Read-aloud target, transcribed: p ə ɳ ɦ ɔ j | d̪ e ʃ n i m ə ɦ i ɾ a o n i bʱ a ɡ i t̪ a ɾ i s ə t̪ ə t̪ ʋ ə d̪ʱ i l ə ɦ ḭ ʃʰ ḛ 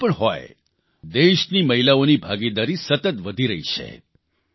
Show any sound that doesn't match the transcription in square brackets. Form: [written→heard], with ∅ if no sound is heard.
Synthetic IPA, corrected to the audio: p ə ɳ ɦ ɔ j | d̪ e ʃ n i m ə ɦ i [ɾ→l] a o n i bʱ a ɡ i [t̪→d̪] a ɾ i s ə t̪ ə t̪ ʋ ə d̪ʱ i [l→ɾ] ə ɦ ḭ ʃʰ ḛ